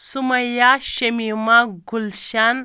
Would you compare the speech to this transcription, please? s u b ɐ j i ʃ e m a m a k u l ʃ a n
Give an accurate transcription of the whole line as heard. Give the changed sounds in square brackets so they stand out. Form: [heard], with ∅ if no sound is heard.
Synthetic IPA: s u [m] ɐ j [a] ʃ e m [i] m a [ɡ] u l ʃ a n